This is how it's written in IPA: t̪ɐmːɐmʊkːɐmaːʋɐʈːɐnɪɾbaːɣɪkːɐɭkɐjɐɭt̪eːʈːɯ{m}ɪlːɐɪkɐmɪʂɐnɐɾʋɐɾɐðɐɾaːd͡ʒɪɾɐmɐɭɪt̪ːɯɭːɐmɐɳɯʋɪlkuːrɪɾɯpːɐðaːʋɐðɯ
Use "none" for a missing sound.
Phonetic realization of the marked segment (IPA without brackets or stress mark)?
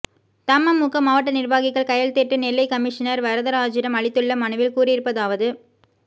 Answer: n